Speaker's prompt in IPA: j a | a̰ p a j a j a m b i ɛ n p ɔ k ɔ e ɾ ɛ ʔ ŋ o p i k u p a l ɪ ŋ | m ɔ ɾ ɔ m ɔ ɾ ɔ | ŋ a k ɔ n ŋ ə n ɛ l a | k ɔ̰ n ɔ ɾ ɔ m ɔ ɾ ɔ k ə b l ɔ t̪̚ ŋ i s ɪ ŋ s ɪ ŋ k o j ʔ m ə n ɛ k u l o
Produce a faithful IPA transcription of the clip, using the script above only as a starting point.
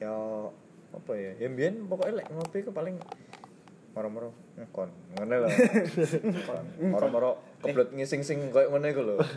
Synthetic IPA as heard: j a | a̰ p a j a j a m b i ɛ n p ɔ k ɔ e l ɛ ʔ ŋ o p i k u p a l ɪ ŋ | m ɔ ɾ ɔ m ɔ ɾ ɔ | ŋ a k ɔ n ŋ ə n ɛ l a | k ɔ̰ n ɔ ɾ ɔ m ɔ ɾ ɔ k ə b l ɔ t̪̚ ŋ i s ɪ ŋ s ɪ ŋ k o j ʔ ŋ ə n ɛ k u l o